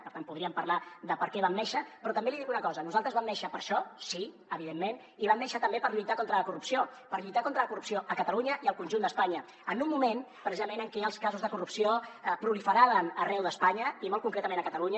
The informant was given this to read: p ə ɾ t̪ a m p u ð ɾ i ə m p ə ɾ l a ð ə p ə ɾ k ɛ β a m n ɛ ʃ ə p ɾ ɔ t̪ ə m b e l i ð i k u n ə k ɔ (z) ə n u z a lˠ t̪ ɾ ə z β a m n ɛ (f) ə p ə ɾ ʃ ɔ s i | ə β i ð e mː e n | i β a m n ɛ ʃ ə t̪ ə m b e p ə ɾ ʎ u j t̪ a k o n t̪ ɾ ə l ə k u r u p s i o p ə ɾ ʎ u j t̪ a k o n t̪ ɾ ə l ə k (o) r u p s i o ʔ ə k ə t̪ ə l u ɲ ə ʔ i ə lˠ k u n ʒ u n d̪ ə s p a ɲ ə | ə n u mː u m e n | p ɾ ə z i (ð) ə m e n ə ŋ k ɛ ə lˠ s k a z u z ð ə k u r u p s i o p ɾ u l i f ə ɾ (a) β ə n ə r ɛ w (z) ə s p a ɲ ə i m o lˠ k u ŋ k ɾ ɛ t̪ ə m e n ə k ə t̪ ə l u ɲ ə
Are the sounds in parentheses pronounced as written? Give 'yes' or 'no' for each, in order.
yes, no, no, no, yes, no

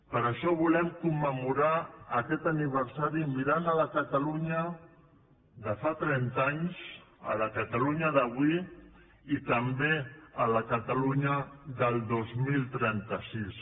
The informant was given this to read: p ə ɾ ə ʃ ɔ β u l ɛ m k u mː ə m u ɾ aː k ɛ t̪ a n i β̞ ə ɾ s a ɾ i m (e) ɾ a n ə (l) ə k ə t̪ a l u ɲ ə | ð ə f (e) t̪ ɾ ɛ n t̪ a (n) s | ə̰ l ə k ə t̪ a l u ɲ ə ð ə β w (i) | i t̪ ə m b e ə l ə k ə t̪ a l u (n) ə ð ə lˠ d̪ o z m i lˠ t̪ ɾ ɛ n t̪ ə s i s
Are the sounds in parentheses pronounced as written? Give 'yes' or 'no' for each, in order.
no, yes, no, no, yes, no

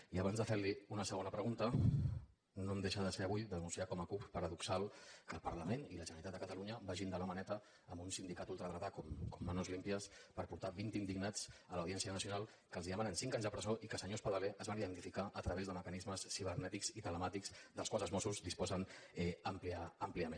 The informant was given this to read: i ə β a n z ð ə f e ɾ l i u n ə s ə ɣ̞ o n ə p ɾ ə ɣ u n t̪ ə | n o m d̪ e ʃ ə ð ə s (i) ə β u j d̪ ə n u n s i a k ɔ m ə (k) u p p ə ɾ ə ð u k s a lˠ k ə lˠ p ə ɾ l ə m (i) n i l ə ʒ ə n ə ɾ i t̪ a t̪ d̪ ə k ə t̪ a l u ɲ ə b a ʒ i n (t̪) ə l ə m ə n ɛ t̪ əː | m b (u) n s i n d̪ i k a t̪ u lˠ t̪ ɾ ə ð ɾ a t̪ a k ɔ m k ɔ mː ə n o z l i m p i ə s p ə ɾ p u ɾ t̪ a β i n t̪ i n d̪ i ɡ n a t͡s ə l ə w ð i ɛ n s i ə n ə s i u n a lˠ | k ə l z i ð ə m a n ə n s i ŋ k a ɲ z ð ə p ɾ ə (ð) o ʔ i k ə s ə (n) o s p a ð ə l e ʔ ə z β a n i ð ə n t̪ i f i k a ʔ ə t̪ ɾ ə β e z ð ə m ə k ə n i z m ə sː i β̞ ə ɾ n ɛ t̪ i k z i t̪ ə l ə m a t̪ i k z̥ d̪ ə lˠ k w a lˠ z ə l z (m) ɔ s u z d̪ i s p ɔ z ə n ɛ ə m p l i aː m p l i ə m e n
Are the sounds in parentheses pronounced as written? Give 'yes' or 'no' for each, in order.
no, yes, no, no, yes, no, no, yes

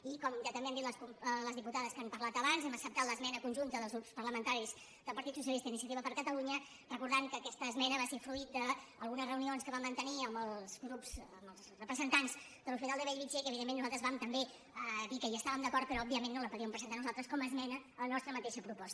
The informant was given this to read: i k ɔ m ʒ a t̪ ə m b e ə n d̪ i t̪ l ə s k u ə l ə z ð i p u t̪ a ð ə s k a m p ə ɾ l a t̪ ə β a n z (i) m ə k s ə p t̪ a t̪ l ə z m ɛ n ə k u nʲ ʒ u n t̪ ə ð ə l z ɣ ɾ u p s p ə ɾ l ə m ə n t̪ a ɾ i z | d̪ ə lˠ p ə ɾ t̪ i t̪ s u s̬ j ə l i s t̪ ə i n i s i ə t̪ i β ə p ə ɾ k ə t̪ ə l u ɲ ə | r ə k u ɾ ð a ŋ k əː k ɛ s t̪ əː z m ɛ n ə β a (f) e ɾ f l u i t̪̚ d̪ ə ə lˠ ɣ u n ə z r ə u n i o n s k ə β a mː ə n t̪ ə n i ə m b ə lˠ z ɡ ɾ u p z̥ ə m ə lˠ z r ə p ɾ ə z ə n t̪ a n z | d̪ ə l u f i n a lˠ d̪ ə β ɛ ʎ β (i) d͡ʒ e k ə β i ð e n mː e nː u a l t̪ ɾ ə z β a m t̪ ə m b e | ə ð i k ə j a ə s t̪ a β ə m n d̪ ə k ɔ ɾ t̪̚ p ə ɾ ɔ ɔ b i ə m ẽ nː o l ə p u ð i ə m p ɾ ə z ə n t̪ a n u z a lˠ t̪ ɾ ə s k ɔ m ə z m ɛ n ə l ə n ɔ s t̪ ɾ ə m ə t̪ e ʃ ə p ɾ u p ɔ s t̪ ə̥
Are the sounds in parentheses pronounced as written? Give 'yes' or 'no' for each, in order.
no, no, yes

